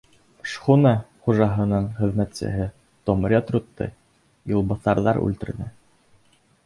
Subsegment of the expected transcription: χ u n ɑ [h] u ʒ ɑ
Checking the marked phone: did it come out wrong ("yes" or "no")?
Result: yes